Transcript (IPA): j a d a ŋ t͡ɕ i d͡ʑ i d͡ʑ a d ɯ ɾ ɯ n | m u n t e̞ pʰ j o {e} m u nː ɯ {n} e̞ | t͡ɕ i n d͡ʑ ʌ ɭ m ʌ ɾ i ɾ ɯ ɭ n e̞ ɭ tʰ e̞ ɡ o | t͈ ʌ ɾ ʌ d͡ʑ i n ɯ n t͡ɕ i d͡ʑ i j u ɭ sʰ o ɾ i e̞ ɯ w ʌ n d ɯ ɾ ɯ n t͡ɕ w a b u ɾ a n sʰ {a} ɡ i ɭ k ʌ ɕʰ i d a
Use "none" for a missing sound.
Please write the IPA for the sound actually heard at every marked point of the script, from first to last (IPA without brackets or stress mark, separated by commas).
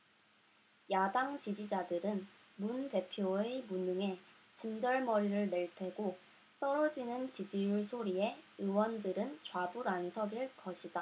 e, ŋ, ʌ